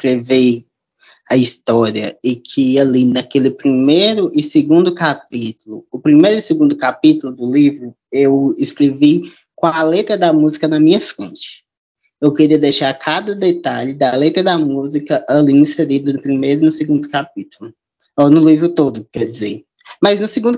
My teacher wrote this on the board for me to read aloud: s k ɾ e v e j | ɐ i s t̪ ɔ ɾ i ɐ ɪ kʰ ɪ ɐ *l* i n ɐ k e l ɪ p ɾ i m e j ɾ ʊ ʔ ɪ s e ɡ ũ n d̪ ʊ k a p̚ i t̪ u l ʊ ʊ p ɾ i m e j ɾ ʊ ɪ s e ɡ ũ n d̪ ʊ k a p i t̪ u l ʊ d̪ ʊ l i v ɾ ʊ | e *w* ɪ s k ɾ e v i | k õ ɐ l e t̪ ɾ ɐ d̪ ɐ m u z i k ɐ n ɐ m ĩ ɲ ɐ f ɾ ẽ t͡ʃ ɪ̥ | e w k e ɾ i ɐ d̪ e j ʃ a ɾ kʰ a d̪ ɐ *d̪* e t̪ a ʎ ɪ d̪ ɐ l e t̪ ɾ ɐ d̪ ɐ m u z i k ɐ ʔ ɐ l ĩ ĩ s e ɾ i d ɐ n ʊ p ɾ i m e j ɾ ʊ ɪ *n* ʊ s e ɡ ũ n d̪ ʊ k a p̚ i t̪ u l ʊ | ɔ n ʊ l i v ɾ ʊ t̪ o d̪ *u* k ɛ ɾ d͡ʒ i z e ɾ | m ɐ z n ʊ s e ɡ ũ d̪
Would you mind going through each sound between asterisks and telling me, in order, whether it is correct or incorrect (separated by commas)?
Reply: correct, correct, correct, correct, incorrect